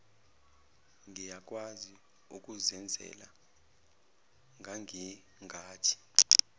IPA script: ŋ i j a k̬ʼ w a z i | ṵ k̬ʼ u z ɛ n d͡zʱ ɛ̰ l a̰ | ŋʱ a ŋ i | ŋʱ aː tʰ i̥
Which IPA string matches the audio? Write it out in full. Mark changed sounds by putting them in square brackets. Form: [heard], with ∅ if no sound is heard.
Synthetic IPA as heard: ŋ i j a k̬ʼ w a z i | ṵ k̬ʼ u z ɛ n d͡zʱ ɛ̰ l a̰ | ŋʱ a ŋ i | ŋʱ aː tʰ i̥

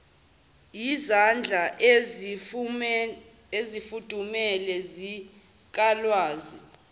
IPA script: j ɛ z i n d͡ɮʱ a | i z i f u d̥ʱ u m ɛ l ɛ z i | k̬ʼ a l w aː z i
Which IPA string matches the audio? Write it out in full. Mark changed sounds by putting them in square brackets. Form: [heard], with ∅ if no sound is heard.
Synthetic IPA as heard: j [i] z [a] n d͡ɮʱ a | [e] z i f u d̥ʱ u m ɛ l ɛ z i | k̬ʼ a l w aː z i

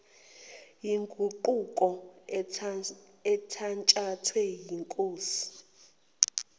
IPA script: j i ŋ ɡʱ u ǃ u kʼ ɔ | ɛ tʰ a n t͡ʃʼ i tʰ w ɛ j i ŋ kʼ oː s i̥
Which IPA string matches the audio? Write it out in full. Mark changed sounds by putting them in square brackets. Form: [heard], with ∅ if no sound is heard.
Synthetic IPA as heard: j i ŋ ɡʱ u ǃ u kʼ ɔ | ɛ tʰ a n t͡ʃʼ [a] tʰ w ɛ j i ŋ kʼ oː s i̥

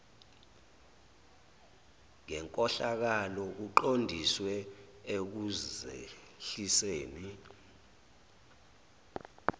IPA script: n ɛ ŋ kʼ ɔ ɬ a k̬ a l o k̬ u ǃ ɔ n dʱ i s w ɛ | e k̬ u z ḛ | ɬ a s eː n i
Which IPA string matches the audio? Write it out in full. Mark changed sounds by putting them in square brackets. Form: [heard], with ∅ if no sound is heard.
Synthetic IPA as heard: [ŋ] ɛ ŋ kʼ ɔ ɬ a k̬ a l [ɔ] k̬ u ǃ [o] n dʱ i s w ɛ | e k̬ u z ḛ | ɬ [i] s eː n i

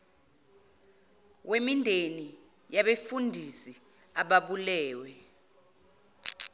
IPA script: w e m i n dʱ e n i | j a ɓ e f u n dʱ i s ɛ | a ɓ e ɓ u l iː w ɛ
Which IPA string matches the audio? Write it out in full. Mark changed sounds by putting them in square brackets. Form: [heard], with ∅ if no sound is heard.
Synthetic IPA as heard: w e m i n dʱ e n i | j a ɓ e f u n dʱ i s [i] | a ɓ [a] ɓ u l [ɛː] w ɛ

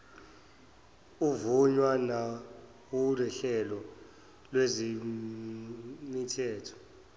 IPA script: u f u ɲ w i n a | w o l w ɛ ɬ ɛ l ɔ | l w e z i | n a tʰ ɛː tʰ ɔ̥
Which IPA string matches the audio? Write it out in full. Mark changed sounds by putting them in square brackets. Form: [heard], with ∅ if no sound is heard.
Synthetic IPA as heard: u [v] u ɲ w [a] n a | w [u] l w ɛ ɬ ɛ l ɔ | l w e z i | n [i] tʰ ɛː tʰ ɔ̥

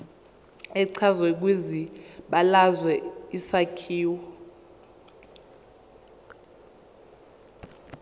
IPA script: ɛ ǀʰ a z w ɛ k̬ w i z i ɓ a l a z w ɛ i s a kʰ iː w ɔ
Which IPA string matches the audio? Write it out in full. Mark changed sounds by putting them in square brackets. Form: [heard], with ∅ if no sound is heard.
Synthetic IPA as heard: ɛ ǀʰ a z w ɛ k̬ w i z i ɓ a l a z w ɛ i s a kʰ iː w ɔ

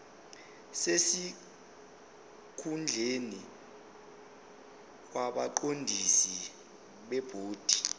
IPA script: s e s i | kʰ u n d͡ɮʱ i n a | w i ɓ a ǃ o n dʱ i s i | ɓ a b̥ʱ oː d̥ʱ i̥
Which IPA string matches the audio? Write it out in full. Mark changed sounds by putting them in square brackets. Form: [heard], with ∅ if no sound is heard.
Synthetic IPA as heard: s e s i | kʰ u n d͡ɮʱ [e] n [i] | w [a] ɓ a ǃ o n dʱ i s i | ɓ [ɛ] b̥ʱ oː d̥ʱ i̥

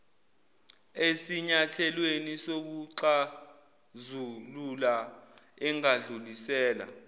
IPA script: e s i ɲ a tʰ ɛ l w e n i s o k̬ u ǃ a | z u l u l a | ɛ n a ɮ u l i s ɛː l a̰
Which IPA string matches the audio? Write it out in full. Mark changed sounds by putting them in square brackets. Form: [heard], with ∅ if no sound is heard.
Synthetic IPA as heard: e s i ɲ a tʰ ɛ l w e n i s o k̬ u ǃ a | z u l u l a | ɛ [ŋ] a ɮ u l i s ɛː l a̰

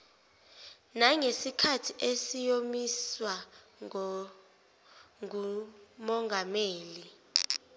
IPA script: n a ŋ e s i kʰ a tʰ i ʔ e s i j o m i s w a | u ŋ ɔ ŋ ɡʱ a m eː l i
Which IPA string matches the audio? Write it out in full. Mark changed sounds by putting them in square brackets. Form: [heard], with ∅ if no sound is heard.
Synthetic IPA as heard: n a ŋ e s i kʰ a tʰ i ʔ e s i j o m i s w a | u [m] ɔ ŋ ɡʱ a m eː l i

